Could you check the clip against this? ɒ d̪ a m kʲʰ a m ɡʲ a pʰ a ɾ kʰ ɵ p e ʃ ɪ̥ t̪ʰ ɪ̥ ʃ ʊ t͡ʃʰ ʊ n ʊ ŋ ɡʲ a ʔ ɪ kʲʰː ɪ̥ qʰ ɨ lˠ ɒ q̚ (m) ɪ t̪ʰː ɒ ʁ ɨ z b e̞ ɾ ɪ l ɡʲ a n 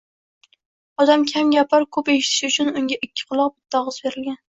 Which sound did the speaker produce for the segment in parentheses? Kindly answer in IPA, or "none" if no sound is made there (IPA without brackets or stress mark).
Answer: b